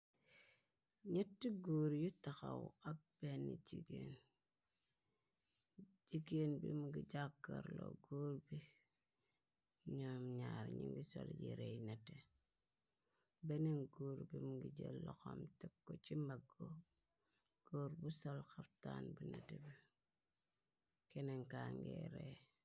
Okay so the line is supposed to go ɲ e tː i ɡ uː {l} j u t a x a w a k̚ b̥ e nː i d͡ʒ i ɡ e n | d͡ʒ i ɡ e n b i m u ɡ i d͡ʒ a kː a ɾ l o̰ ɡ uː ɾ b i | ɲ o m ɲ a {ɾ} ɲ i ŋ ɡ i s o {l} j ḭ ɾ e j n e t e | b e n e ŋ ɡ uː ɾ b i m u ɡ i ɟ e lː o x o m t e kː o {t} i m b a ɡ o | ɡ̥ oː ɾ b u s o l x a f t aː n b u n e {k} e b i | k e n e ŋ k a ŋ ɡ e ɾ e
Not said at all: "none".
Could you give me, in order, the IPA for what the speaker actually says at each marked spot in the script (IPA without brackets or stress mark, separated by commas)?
ɾ, ɾ, l, t͡ʃ, t